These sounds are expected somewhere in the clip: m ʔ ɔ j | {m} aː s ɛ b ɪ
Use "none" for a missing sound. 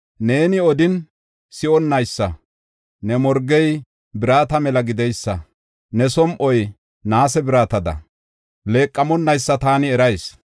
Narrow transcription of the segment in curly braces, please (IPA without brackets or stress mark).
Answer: n